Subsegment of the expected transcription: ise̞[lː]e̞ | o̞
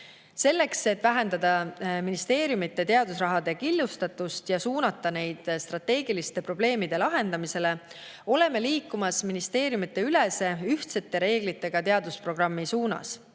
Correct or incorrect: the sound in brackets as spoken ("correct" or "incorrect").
incorrect